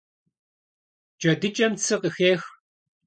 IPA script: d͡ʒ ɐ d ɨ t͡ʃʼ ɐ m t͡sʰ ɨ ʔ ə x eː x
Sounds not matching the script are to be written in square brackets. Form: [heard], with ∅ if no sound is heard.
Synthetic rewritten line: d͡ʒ ɐ d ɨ t͡ʃʼ ɐ m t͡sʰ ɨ [q] ə x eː x